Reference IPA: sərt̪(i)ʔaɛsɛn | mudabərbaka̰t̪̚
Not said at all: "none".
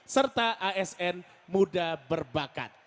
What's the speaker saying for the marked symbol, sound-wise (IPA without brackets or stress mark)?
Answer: a